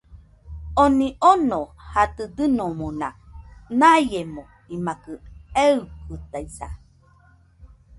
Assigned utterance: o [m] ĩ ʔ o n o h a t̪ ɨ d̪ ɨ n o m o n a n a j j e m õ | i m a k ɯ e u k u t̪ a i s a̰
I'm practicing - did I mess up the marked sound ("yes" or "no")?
yes